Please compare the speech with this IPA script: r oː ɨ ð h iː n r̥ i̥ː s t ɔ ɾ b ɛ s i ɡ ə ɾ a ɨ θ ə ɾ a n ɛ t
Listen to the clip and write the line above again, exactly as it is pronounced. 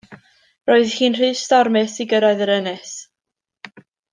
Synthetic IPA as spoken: r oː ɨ ð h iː n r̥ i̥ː s t ɔ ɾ m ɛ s i ɡ ə ɾ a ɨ ð ə ɾ ə n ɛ s